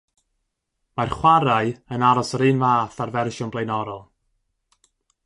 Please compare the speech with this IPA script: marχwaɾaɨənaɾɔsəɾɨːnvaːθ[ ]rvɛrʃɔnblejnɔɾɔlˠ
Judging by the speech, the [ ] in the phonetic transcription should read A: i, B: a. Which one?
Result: B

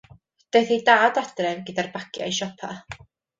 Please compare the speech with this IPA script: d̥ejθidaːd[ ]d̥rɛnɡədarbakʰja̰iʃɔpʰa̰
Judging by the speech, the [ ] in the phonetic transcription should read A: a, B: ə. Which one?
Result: A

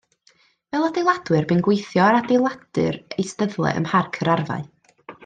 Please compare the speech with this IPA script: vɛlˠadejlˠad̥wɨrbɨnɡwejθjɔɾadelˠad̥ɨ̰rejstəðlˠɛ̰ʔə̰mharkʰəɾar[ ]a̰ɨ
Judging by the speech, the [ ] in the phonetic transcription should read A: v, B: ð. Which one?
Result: A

